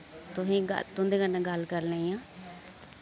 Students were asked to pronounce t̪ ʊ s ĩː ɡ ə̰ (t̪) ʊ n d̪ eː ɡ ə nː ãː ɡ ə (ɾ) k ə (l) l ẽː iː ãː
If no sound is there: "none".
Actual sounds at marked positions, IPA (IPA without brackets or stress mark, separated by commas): t̪, l, ɾ